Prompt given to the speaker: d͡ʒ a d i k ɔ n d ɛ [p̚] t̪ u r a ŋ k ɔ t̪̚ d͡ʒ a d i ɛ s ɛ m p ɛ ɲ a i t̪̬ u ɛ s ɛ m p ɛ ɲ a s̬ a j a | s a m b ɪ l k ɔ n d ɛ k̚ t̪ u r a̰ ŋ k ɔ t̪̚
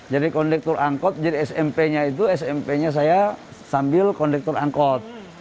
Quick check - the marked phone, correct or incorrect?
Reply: incorrect